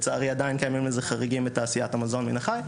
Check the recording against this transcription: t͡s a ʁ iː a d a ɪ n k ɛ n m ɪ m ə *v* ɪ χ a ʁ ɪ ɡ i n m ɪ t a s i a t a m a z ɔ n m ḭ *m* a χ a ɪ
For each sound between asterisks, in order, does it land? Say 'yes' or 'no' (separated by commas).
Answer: no, no